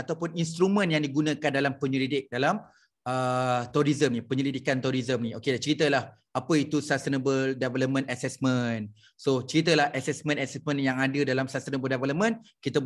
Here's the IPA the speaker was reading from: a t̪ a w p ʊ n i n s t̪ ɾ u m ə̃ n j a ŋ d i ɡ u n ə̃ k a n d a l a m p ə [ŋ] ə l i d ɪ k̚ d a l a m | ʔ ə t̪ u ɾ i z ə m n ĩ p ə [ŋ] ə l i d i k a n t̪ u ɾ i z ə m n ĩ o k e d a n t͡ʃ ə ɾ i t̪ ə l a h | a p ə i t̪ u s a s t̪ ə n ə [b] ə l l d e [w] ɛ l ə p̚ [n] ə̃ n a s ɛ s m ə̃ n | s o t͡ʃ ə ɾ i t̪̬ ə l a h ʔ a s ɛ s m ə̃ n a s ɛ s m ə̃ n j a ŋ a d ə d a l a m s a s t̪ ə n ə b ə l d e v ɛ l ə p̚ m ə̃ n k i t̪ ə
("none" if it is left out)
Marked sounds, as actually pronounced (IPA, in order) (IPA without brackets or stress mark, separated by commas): ɲ, ɲ, b, v, m